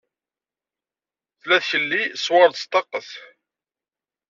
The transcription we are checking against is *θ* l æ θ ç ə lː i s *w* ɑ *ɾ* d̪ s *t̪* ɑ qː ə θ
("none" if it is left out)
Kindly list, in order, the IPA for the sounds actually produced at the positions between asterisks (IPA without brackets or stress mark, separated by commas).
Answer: θ, w, ɾ, t̪